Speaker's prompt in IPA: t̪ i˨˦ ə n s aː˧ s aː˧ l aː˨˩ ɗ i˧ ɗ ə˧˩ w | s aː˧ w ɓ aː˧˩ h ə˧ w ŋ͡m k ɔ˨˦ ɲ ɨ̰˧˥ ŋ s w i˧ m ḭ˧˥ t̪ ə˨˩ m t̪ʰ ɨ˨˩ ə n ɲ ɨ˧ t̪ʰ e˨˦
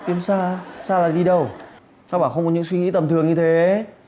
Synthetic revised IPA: t̪ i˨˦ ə n s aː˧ s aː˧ l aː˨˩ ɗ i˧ ɗ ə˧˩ w | s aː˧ w ɓ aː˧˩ x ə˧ w ŋ͡m k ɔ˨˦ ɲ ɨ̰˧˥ ŋ s w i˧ ŋ ḭ˧˥ t̪ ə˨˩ m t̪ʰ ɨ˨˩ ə ŋ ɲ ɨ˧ t̪ʰ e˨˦